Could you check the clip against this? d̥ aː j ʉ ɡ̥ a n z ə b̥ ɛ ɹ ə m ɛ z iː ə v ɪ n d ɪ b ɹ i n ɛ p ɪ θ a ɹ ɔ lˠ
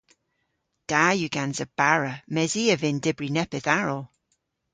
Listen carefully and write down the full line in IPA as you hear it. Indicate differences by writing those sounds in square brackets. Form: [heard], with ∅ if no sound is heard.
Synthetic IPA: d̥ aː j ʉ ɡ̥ a n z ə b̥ [a] ɹ ə m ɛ z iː ə v ɪ n d ɪ b ɹ i n ɛ p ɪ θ a ɹ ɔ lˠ